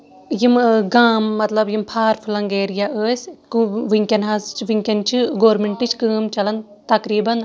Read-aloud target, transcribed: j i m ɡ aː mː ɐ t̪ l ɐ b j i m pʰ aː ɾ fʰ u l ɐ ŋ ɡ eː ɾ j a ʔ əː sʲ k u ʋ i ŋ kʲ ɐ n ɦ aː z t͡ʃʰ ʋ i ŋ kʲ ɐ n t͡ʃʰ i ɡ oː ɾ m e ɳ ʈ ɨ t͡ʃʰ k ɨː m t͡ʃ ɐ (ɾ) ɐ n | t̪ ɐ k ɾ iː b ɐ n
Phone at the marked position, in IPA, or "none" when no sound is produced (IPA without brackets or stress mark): l